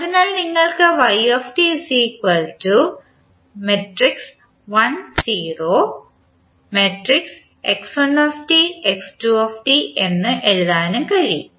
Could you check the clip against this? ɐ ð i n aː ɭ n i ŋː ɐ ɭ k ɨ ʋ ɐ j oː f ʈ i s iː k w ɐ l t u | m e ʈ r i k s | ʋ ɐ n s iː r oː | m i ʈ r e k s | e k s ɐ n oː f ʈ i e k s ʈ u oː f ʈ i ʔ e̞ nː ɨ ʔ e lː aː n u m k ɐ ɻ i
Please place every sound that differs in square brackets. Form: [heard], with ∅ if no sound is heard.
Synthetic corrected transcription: ɐ ð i n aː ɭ n i ŋː ɐ ɭ k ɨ ʋ ɐ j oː f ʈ i s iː k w ɐ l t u | m e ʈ r i k s | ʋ ɐ n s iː r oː | m [e] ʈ r [i] k s | e k s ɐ n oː f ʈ i e k s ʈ u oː f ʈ i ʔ e̞ nː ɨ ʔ e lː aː n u m k ɐ ɻ i

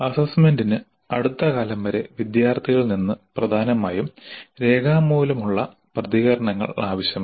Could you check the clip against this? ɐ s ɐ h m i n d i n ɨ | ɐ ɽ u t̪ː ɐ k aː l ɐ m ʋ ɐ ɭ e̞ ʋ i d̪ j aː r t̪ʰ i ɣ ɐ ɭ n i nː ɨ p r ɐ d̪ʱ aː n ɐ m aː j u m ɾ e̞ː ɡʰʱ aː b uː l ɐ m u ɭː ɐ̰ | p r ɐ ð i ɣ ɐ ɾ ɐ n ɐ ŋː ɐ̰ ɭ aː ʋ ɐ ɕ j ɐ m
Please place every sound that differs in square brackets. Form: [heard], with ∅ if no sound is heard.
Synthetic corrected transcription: ɐ s ɐ [s] m [e] n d i n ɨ | ɐ ɽ u t̪ː ɐ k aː l ɐ m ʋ ɐ [ɾ] e̞ ʋ i d̪ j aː r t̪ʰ i ɣ ɐ ɭ n i nː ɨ p r ɐ d̪ʱ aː n ɐ m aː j u m ɾ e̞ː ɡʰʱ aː [m] uː l ɐ m u ɭː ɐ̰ | p r ɐ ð i ɣ ɐ ɾ ɐ [ɳ] ɐ ŋː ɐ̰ ɭ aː ʋ ɐ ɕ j ɐ m

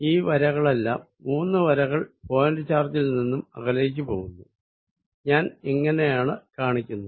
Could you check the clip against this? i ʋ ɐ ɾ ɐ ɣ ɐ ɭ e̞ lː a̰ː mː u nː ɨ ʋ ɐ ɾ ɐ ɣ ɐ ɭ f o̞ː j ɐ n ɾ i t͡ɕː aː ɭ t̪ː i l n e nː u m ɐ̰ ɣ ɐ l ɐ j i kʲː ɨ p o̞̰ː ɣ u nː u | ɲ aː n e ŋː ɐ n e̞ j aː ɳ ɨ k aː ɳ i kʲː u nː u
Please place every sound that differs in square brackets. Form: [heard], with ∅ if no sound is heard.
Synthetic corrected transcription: [iː] ʋ ɐ ɾ ɐ ɣ ɐ ɭ e̞ lː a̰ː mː [uː] nː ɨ ʋ ɐ ɾ ɐ ɣ ɐ ɭ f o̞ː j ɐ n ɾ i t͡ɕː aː [r] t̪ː i l n [i] nː u m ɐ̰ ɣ ɐ l ɐ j i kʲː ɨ p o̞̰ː ɣ u nː u | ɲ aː n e ŋː ɐ n e̞ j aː ɳ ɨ k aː ɳ i kʲː u nː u

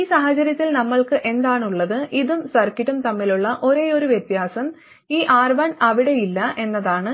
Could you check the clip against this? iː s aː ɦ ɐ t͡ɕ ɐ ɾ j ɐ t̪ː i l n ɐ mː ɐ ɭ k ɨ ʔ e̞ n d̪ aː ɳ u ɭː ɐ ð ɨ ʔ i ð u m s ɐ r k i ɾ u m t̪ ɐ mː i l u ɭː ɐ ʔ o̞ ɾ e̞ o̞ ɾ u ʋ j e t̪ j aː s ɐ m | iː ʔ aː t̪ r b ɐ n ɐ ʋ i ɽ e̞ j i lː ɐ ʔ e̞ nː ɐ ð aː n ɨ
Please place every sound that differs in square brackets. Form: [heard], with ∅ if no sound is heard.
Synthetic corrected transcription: iː s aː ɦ ɐ t͡ɕ ɐ ɾ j ɐ t̪ː i l n ɐ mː ɐ ɭ k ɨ ʔ e̞ n d̪ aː ɳ u ɭː ɐ ð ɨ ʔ i ð u m s ɐ r k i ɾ u m t̪ ɐ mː i l u ɭː ɐ ʔ o̞ ɾ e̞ o̞ ɾ u ʋ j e t̪ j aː s ɐ m | iː ʔ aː [∅] r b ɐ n ɐ ʋ i ɽ e̞ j i lː ɐ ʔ e̞ nː ɐ ð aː [ɳ] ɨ

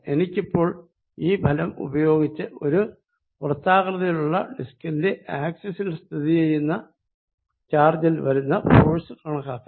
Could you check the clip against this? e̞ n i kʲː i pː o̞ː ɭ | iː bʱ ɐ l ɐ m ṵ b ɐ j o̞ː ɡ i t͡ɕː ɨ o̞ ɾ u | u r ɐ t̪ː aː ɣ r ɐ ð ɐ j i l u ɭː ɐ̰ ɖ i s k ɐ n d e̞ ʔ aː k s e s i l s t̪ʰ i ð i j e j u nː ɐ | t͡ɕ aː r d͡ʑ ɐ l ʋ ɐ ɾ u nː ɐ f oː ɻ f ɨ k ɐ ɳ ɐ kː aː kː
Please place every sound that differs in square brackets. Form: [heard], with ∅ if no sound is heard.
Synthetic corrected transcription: e̞ n i kʲː i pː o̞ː ɭ | iː bʱ ɐ l ɐ m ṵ b ɐ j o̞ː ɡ i t͡ɕː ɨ o̞ ɾ u | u r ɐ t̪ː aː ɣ r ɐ ð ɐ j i l u ɭː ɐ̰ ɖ i s k ɐ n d e̞ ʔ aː k s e s i l s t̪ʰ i ð i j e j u nː ɐ | t͡ɕ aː r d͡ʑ ɐ l ʋ ɐ ɾ u nː ɐ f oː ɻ [s] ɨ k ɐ ɳ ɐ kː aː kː

